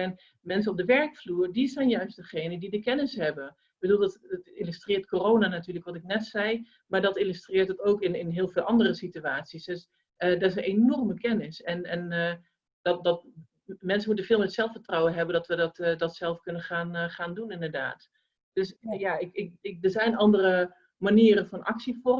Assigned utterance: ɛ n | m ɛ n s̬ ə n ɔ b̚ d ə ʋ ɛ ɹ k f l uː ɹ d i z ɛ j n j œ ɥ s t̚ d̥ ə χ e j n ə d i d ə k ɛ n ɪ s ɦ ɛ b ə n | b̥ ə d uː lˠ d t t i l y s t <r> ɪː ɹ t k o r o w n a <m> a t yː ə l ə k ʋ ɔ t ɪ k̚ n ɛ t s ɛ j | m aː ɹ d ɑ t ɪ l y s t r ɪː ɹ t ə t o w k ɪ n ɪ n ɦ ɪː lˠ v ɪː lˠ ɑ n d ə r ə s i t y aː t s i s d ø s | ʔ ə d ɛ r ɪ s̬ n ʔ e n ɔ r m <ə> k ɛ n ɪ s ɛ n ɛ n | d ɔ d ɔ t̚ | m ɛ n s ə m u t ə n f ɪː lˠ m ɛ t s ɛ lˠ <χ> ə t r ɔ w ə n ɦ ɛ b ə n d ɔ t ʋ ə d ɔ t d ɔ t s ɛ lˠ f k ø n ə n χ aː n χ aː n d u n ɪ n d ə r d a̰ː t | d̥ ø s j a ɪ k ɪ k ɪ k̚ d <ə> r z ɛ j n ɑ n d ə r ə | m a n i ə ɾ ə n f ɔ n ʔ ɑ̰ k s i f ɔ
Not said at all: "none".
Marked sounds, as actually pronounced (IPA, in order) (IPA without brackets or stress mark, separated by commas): r, n, ə, f, ə